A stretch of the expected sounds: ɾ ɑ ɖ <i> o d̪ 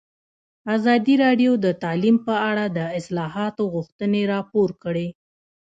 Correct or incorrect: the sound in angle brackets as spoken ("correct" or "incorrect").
incorrect